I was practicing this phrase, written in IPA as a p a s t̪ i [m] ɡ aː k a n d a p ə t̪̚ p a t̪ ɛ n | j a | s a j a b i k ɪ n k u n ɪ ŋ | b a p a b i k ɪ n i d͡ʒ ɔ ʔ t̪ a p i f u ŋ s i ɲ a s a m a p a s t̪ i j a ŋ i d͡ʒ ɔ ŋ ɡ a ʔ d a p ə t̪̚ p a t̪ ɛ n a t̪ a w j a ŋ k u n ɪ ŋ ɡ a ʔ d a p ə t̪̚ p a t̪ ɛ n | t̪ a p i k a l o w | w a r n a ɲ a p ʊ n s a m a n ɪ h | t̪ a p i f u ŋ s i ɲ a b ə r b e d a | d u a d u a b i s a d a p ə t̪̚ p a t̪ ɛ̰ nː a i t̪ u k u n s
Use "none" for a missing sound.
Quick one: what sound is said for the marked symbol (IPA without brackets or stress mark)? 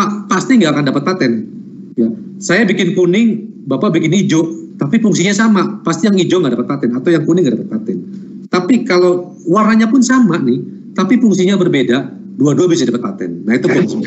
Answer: ŋ